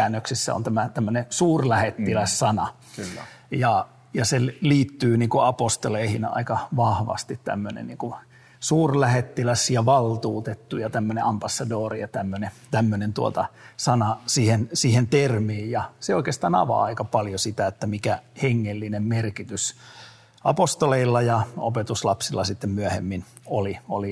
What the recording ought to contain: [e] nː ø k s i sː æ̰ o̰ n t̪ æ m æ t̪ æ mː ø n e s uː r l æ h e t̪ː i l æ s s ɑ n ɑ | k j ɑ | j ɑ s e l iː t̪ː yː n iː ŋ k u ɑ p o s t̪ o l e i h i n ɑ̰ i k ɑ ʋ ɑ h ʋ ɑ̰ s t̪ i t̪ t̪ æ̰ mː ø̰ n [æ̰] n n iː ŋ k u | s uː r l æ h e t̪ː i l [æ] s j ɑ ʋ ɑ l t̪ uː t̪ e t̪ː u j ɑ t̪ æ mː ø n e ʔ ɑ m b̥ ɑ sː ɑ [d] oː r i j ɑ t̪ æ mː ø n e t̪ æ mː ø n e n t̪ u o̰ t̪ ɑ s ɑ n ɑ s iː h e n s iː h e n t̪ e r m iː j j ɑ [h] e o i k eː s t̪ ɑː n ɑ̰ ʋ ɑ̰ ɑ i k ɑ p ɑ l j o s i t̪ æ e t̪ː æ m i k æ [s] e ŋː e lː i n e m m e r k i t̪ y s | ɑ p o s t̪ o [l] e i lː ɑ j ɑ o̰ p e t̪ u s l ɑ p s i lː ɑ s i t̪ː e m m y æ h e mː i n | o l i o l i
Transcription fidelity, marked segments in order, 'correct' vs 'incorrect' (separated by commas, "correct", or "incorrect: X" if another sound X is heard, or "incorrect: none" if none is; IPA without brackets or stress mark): incorrect: æ, incorrect: ḛ, correct, correct, incorrect: s, incorrect: h, correct